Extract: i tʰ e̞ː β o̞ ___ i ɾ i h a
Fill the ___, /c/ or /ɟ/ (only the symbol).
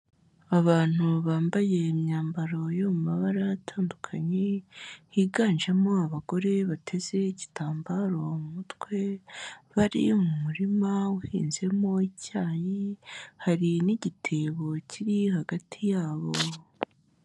c